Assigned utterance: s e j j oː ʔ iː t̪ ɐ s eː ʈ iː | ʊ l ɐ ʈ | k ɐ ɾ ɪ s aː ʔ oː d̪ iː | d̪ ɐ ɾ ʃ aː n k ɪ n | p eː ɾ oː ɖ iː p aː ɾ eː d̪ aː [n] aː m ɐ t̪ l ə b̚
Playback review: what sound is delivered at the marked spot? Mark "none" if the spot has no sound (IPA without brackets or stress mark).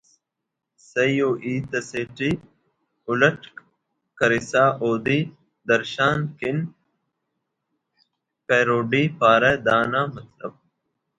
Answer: n